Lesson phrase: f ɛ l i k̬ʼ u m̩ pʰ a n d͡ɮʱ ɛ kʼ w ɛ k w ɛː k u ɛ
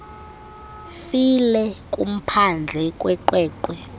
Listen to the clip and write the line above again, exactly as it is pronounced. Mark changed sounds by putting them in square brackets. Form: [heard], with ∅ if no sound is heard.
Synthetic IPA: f [i] l [ɛ] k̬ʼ u m̩ pʰ a n d͡ɮʱ ɛ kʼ w ɛ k w ɛː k [w] ɛ